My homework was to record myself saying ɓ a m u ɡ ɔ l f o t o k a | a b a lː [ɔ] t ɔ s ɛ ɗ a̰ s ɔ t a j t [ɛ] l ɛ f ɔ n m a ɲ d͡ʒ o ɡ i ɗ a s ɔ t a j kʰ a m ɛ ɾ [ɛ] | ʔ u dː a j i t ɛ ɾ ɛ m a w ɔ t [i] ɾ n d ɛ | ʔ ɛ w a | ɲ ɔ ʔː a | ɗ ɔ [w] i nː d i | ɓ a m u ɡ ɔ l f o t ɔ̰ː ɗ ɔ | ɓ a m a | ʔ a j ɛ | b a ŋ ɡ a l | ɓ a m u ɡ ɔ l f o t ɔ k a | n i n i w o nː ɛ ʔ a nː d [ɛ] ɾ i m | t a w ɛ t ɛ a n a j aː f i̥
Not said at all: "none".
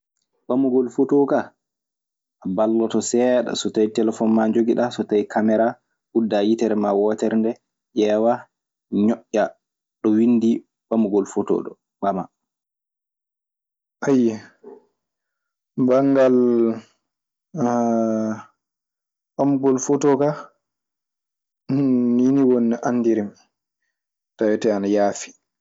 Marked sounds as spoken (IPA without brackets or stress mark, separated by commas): ɔ, ɛ, a, ɛ, w, i